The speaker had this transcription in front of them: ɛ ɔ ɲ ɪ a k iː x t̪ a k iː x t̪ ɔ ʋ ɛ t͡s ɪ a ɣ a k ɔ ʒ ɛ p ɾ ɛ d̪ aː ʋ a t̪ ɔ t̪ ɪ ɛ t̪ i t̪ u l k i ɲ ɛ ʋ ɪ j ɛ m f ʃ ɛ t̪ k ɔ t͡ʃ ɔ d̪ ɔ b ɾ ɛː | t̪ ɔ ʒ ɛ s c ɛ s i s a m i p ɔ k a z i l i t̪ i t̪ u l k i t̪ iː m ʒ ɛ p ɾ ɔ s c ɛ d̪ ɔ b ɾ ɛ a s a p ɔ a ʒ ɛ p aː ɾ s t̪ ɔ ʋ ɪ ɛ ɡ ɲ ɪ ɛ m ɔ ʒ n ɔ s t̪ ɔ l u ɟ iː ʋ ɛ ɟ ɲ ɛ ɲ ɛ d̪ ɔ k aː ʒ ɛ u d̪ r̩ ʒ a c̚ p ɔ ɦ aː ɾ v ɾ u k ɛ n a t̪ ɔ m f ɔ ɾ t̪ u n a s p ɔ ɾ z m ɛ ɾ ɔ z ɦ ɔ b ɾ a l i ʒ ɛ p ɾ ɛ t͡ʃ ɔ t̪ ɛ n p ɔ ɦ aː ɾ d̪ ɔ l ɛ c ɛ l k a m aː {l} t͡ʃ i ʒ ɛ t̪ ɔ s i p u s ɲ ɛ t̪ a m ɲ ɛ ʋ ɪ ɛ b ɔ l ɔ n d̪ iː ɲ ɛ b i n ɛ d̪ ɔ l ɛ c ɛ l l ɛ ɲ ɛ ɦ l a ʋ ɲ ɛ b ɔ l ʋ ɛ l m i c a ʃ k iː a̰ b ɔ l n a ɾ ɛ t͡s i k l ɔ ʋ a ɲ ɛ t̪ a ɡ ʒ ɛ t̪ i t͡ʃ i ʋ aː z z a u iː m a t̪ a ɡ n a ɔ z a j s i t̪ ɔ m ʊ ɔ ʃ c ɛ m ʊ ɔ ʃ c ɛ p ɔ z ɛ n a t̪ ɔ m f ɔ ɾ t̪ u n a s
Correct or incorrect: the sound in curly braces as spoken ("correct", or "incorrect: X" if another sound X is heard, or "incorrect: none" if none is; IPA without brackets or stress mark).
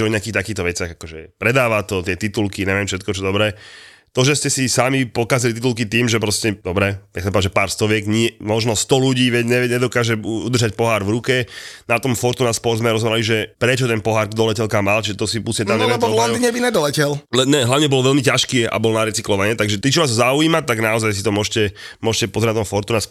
correct